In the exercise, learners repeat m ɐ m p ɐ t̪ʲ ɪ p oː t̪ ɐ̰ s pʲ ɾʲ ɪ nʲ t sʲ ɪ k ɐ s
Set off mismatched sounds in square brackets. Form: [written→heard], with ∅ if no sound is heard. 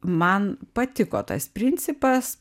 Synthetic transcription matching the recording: m ɐ [m→n] p ɐ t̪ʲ ɪ [p→k] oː t̪ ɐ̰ s pʲ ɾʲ ɪ nʲ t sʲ ɪ [k→p] ɐ s